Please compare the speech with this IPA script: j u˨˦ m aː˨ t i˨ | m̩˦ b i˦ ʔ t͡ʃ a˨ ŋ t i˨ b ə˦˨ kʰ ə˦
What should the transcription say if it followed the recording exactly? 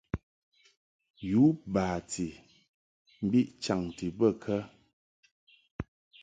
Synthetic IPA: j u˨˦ b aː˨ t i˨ | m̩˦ b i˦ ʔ t͡ʃ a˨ ŋ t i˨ b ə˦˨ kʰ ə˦